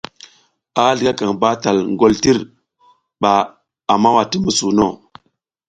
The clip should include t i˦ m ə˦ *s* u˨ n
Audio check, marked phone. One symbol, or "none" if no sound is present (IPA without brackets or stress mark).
s